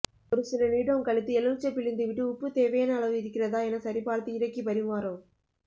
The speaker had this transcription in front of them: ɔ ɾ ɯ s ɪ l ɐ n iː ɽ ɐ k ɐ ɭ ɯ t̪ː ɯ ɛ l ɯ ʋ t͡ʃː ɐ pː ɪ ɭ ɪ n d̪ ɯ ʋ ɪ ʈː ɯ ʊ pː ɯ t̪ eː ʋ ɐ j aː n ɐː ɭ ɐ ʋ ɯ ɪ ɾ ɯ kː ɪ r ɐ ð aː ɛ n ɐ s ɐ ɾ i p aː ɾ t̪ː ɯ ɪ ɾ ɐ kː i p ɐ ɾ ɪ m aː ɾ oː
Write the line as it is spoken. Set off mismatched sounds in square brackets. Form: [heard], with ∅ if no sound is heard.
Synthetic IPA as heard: ɔ ɾ ɯ s ɪ l ɐ n iː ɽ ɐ k ɐ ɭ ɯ t̪ː ɯ ɛ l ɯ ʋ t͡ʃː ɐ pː ɪ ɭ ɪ n d̪ ɯ ʋ ɪ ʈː ɯ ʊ pː ɯ t̪ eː ʋ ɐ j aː n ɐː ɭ ɐ ʋ ɯ ɪ ɾ ɯ kː ɪ r ɐ ð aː ɛ n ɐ s ɐ ɾ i p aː ɾ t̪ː ɯ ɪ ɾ ɐ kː i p ɐ ɾ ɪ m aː ɾ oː

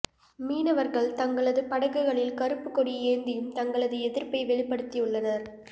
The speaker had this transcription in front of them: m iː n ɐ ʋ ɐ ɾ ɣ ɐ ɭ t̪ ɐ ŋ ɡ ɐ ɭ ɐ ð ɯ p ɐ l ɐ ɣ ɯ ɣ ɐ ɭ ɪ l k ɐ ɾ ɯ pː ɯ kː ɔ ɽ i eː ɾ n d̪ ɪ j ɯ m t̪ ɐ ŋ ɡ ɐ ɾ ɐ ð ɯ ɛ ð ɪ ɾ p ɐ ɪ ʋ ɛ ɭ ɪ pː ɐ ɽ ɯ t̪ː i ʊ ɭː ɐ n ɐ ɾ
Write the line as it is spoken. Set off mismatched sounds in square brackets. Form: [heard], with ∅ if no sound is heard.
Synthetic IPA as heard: m iː n ɐ ʋ ɐ ɾ ɣ ɐ ɭ t̪ ɐ ŋ ɡ ɐ ɭ ɐ ð ɯ p ɐ [ɽ] ɐ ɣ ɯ ɣ ɐ ɭ ɪ l k ɐ ɾ ɯ pː ɯ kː ɔ ɽ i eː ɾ n d̪ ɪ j ɯ m t̪ ɐ ŋ ɡ ɐ [ɭ] ɐ ð ɯ ɛ ð ɪ ɾ p ɐ ɪ ʋ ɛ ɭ ɪ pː ɐ ɽ ɯ t̪ː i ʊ ɭː ɐ n ɐ ɾ

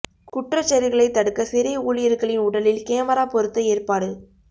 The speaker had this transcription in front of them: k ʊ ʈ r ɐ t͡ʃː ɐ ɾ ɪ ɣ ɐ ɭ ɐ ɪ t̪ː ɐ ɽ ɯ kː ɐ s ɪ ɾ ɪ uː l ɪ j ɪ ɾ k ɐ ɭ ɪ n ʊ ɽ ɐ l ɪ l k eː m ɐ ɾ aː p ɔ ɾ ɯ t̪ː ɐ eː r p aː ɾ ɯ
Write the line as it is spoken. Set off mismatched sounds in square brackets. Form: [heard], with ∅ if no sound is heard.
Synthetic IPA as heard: k ʊ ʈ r ɐ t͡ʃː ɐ ɾ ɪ ɣ ɐ ɭ ɐ ɪ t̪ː ɐ ɽ ɯ kː ɐ s ɪ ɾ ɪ uː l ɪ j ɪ ɾ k ɐ ɭ ɪ n ʊ ɽ ɐ l ɪ l k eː m ɐ ɾ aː p ɔ ɾ ɯ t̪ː ɐ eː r p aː [ɽ] ɯ

